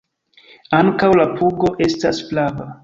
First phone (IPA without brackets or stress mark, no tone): a